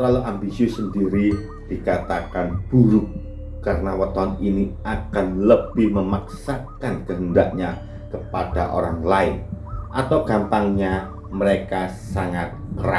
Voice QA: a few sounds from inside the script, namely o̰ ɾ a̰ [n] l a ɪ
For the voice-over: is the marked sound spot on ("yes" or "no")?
no